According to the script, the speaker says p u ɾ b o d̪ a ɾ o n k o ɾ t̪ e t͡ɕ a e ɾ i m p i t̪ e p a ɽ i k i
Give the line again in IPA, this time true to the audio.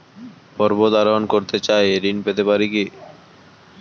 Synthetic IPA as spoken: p ɔ ɾ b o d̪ a ɾ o n k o ɾ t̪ e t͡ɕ a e ɾ i n p e t̪ e p a ɾ i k i